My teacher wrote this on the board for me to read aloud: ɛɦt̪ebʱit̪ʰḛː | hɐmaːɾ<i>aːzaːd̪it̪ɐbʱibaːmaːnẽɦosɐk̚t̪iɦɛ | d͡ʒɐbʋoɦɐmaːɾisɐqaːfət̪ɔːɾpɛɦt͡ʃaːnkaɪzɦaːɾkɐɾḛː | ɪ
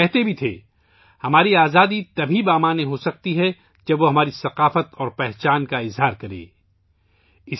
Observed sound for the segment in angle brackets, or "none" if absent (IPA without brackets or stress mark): i